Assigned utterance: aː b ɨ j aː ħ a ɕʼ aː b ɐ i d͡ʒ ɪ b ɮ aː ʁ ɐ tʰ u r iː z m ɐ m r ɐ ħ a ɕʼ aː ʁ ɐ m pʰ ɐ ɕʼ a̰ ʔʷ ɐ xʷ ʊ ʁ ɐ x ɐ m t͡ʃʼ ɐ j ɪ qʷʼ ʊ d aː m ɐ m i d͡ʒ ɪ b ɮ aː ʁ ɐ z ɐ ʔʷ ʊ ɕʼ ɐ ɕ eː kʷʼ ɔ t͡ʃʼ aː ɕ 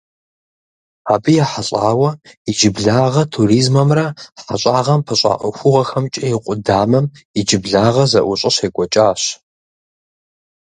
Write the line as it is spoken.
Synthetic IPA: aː b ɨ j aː ħ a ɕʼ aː w ɐ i d͡ʒ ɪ b ɮ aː ʁ ɐ tʰ u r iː z m ɐ m r ɐ ħ a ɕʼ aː ʁ ɐ m pʰ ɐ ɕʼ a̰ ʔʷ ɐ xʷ ʊ ʁ ɐ x ɐ m t͡ʃʼ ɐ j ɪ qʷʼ ʊ d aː m ɐ m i d͡ʒ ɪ b ɮ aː ʁ ɐ z ɐ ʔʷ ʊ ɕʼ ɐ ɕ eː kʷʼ ɔ t͡ʃʼ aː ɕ